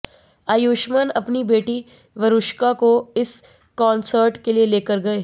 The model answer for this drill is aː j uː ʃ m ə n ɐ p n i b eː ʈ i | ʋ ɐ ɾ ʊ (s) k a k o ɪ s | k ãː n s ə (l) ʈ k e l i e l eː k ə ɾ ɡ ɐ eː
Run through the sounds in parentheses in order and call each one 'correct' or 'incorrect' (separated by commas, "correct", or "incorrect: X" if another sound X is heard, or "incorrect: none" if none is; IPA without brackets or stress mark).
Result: incorrect: ʃ, incorrect: ɾ